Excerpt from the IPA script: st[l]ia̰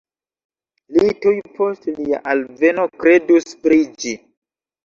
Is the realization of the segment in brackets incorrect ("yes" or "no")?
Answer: no